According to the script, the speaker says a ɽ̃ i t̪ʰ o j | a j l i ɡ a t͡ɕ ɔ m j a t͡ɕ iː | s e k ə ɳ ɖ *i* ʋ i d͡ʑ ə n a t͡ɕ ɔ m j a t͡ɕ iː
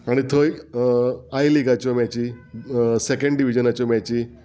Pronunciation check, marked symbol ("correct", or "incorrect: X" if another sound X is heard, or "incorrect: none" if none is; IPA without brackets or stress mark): correct